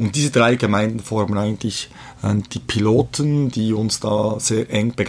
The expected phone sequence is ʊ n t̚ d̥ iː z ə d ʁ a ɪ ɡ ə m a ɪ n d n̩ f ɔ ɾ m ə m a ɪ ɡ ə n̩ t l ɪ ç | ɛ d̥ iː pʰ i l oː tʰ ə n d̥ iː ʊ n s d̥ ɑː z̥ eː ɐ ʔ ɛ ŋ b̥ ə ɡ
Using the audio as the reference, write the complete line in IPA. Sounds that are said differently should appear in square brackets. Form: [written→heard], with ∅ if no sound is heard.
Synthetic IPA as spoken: ʊ n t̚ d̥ iː z ə d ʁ a ɪ ɡ ə m a ɪ n d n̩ f ɔ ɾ m ə [m→n] a ɪ ɡ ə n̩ t l ɪ ç | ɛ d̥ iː pʰ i l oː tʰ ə n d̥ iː ʊ n s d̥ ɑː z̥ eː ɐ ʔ ɛ ŋ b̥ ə ɡ